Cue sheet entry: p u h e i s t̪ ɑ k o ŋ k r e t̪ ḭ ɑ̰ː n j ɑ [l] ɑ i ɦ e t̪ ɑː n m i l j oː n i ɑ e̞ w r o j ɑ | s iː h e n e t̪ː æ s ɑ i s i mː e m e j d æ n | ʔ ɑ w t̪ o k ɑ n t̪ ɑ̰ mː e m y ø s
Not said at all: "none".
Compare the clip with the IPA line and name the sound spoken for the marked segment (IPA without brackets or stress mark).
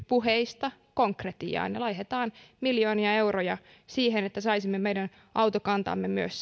l